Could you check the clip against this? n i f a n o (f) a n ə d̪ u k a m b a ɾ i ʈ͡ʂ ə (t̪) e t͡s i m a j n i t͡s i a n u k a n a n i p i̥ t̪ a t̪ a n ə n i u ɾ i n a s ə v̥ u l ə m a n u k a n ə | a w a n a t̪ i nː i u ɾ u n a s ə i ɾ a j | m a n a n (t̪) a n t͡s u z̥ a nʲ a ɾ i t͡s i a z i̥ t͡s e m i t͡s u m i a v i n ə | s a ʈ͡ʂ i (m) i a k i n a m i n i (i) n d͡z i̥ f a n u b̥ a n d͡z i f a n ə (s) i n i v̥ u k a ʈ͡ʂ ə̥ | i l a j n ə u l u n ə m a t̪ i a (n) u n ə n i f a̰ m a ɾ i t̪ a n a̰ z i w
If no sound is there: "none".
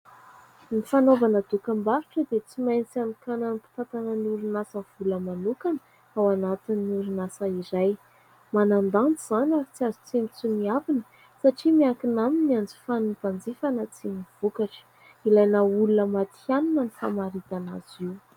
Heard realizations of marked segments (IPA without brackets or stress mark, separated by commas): v, d̪, d̪, m, a, t͡s, n